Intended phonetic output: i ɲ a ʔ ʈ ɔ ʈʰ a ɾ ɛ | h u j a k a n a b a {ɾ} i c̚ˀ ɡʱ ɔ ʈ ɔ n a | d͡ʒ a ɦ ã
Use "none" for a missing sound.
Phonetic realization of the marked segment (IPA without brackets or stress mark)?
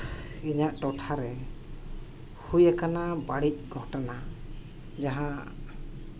ɽ